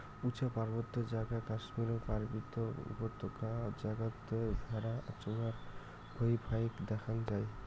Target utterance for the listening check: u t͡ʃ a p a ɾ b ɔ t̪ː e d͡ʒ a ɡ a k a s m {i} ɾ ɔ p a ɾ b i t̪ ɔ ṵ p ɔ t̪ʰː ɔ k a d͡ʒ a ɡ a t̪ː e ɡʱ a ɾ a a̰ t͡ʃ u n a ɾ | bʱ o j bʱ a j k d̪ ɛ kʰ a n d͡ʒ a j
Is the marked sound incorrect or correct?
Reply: correct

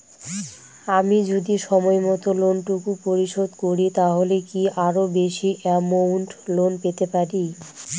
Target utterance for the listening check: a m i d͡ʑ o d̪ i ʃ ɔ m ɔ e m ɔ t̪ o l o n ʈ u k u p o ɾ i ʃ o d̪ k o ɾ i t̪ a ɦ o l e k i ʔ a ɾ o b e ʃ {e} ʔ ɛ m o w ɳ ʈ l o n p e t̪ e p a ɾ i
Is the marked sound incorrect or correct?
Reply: incorrect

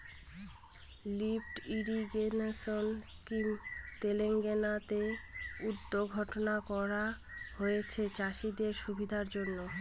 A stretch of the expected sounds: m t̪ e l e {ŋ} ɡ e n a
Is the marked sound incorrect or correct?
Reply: correct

